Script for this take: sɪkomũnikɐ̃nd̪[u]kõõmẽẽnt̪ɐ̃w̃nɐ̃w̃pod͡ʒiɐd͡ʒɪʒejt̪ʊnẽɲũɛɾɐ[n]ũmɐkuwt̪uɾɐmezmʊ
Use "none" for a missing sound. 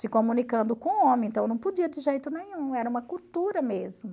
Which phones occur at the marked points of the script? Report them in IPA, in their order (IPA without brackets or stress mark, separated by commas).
ʊ, none